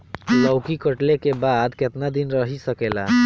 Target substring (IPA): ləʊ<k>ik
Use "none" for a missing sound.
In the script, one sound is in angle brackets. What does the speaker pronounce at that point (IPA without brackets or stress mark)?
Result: k